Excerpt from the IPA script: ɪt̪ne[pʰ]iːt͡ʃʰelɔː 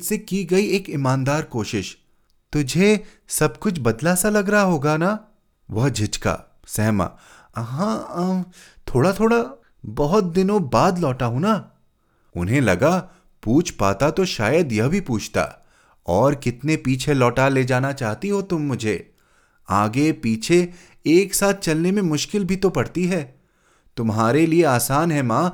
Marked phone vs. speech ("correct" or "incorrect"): incorrect